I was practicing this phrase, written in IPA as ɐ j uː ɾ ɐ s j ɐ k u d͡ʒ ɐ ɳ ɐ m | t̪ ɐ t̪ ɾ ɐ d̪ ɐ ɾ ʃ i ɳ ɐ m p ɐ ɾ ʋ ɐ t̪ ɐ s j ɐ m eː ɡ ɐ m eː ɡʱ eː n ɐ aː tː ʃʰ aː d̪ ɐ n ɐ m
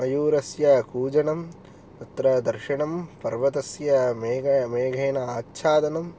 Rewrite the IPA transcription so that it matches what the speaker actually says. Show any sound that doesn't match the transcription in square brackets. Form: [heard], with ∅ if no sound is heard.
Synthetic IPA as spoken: ɐ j uː ɾ ɐ s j ɐ k [uː] d͡ʒ ɐ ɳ ɐ m | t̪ ɐ t̪ ɾ ɐ d̪ ɐ ɾ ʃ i ɳ ɐ m p ɐ ɾ ʋ ɐ t̪ ɐ s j ɐ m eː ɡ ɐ m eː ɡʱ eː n ɐ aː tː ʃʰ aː d̪ ɐ n ɐ m

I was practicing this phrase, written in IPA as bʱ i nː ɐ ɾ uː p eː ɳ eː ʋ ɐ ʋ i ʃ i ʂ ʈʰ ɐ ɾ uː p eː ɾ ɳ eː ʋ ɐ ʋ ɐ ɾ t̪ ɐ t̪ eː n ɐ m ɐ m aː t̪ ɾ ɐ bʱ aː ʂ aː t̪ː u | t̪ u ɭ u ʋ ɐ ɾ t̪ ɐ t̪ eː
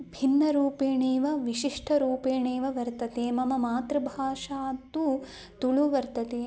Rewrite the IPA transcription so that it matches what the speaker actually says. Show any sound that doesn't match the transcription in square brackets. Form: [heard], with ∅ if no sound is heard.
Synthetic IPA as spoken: bʱ i nː ɐ ɾ uː p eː ɳ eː ʋ ɐ ʋ i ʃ i ʂ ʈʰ ɐ ɾ uː p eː [∅] ɳ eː ʋ ɐ ʋ ɐ ɾ t̪ ɐ t̪ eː [m] ɐ m ɐ m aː t̪ ɾ ɐ bʱ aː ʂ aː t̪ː u | t̪ u ɭ u ʋ ɐ ɾ t̪ ɐ t̪ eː

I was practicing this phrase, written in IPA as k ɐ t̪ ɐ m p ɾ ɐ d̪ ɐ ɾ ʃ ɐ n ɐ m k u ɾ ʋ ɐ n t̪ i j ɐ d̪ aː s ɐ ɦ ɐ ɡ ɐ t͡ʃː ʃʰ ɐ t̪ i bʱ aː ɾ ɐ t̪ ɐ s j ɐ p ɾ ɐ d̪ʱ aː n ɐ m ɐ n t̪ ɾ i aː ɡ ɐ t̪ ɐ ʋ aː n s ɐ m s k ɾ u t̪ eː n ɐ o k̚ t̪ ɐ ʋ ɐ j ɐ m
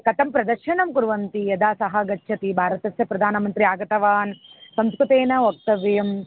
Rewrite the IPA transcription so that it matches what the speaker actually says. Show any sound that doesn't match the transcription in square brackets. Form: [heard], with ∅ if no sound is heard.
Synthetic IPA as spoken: k ɐ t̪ ɐ m p ɾ ɐ d̪ ɐ ɾ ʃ ɐ n ɐ m k u ɾ ʋ ɐ n t̪ i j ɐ d̪ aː s ɐ ɦ ɐ ɡ ɐ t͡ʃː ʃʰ ɐ t̪ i bʱ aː ɾ ɐ t̪ ɐ s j ɐ p ɾ ɐ d̪ʱ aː n ɐ m ɐ n t̪ ɾ i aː ɡ ɐ t̪ ɐ ʋ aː n s ɐ m s k ɾ u t̪ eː n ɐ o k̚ t̪ ɐ ʋ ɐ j ɐ m

